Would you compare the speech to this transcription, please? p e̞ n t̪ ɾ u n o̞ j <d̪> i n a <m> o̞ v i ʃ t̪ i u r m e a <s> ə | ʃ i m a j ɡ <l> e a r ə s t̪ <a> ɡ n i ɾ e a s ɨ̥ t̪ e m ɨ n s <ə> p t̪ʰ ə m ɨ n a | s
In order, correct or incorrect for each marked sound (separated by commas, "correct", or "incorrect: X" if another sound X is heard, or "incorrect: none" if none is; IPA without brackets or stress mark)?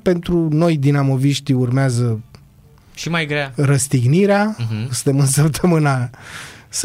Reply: correct, correct, incorrect: z, incorrect: ɾ, incorrect: i, correct